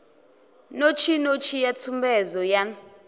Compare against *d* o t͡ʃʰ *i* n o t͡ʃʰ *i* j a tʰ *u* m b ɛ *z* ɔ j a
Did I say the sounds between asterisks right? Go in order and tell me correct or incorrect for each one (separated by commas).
incorrect, correct, correct, correct, correct